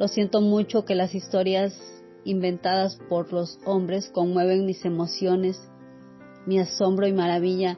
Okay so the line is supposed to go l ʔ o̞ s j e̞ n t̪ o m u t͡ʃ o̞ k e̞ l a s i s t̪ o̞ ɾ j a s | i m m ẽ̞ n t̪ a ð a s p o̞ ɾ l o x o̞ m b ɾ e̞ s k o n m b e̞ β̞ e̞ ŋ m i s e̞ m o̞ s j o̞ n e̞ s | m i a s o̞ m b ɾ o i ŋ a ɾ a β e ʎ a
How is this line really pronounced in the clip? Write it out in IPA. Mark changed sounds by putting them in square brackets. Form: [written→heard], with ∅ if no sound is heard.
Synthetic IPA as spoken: l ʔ o̞ s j e̞ n t̪ o m u t͡ʃ o̞ k e̞ l a s i s t̪ o̞ ɾ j a s | i m [m→b] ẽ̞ n t̪ a ð a s p o̞ ɾ l o [x→s] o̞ m b ɾ e̞ s k o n m [b→w] e̞ β̞ e̞ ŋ m i s e̞ m o̞ s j o̞ n e̞ s | m i a s o̞ m b ɾ o i [ŋ→m] a ɾ a β [e→i] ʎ a